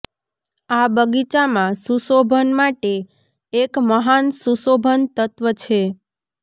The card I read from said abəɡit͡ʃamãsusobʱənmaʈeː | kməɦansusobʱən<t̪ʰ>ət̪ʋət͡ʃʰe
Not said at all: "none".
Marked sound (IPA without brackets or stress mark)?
t̪